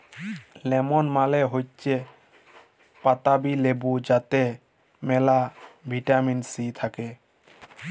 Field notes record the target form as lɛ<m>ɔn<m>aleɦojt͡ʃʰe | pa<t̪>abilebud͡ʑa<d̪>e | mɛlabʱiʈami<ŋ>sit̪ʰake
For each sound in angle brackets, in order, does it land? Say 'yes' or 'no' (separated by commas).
yes, yes, yes, no, no